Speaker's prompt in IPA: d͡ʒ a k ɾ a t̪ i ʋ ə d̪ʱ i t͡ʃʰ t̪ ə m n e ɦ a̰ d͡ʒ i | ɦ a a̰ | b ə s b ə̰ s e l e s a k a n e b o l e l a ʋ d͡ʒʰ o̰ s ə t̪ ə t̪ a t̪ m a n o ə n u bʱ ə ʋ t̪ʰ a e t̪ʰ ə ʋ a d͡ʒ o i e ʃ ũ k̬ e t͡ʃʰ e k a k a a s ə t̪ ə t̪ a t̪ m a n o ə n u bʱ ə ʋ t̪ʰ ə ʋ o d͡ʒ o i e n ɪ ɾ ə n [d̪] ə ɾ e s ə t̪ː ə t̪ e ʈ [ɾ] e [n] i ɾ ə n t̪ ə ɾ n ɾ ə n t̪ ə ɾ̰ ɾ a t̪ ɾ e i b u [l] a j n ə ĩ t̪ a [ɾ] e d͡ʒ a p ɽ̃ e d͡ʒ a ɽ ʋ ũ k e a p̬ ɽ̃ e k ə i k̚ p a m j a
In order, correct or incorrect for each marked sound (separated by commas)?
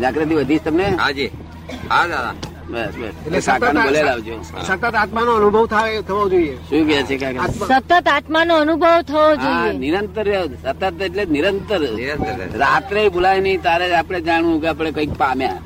incorrect, incorrect, correct, correct, correct